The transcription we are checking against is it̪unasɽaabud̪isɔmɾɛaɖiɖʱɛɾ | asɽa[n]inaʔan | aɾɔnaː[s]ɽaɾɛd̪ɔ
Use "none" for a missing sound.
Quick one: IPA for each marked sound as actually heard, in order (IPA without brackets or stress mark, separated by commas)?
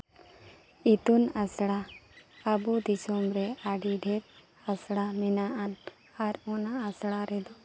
m, s